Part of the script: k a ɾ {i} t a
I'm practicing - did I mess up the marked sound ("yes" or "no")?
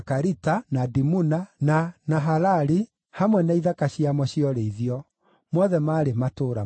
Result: no